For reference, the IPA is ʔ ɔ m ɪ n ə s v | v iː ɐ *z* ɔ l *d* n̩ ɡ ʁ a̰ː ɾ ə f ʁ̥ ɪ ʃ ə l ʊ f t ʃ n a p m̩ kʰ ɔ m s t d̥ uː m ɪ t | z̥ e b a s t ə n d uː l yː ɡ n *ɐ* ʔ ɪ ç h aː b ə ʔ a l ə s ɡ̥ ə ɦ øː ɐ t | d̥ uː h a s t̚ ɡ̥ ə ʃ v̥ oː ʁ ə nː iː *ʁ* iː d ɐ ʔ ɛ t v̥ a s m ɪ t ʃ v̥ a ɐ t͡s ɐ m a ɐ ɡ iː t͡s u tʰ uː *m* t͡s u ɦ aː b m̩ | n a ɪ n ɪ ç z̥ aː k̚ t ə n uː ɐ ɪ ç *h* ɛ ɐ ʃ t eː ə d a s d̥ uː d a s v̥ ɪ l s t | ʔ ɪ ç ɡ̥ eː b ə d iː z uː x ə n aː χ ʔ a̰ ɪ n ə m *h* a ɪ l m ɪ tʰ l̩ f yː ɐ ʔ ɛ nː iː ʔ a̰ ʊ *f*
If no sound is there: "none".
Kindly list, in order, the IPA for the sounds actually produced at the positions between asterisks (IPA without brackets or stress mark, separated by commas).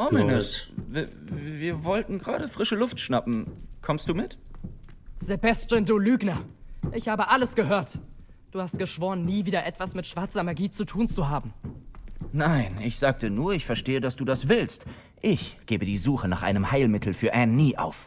v, t, ɐ, v, n, f, h, f